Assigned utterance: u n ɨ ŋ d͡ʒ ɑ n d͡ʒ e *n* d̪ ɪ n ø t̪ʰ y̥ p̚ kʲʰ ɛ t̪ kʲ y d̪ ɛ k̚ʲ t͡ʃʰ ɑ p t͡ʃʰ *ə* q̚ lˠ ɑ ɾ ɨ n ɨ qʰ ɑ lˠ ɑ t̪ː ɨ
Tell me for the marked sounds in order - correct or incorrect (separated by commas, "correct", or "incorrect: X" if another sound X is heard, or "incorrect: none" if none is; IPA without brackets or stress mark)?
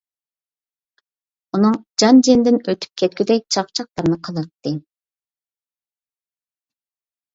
correct, incorrect: ɑ